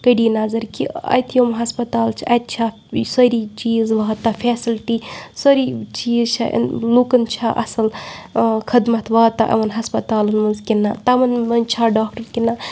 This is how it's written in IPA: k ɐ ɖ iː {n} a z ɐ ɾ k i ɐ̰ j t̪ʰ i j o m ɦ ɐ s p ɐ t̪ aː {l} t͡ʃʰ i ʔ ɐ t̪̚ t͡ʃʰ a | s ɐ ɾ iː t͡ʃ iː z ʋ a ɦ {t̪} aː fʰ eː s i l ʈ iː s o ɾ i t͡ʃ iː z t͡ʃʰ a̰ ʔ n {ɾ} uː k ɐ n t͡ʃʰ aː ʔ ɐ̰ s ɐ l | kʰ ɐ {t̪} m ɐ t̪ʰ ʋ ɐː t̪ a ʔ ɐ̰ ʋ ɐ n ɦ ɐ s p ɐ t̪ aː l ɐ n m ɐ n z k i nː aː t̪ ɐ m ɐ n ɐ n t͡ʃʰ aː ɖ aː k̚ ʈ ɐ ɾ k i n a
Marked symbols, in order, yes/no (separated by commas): yes, yes, yes, no, no